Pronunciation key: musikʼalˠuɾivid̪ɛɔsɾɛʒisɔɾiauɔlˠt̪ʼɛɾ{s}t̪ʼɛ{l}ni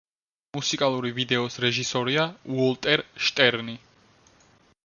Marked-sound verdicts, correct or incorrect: incorrect, incorrect

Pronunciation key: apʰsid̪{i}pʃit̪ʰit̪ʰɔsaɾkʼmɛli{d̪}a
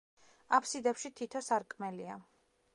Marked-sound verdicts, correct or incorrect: incorrect, incorrect

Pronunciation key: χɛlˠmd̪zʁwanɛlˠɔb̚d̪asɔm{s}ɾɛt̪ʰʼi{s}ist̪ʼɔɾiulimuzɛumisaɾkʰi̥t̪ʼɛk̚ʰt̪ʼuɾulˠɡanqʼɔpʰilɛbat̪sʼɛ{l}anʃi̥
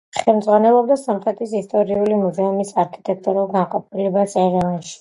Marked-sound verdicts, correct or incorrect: incorrect, correct, incorrect

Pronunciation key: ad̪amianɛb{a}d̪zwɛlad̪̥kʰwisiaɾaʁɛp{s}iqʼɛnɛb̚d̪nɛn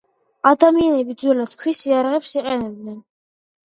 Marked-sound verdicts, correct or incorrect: incorrect, correct

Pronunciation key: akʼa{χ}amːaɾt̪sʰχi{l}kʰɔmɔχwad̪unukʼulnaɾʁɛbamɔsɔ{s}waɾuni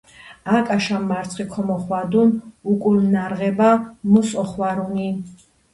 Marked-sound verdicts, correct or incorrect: incorrect, incorrect, incorrect

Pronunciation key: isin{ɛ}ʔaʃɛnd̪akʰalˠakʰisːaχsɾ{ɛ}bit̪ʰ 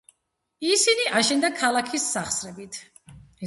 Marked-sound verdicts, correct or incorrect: incorrect, correct

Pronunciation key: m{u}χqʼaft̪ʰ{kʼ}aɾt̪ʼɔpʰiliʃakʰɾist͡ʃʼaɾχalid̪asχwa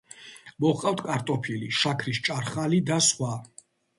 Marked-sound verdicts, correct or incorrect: incorrect, correct

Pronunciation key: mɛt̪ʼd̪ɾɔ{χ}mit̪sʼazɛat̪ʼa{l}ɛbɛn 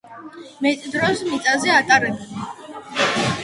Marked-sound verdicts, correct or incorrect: incorrect, incorrect

